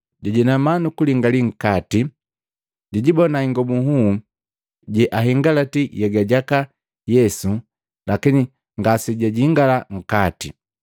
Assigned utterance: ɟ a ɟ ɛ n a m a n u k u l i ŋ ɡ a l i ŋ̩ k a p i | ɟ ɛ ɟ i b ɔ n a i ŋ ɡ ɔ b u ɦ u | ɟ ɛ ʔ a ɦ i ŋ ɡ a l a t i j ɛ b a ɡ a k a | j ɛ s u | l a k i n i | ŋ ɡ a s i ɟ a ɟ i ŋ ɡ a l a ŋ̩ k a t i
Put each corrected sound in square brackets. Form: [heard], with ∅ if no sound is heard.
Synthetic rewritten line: ɟ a ɟ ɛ n a m a n u k u l i ŋ ɡ a l i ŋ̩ k a [t] i | ɟ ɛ ɟ i b ɔ n a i ŋ ɡ ɔ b u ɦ u | ɟ ɛ ʔ a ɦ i ŋ ɡ a l a t i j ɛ [ɡ] a [ɟ] a k a | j ɛ s u | l a k i n i | ŋ ɡ a s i ɟ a ɟ i ŋ ɡ a l a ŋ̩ k a t i